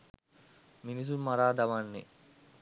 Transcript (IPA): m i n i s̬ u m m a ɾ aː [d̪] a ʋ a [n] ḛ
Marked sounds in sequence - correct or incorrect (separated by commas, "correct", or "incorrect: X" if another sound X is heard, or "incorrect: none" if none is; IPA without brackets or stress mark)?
correct, incorrect: nː